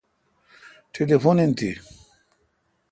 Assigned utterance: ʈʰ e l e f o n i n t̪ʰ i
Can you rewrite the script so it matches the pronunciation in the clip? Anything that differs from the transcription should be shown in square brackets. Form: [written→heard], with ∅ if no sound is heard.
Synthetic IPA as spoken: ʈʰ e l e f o n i n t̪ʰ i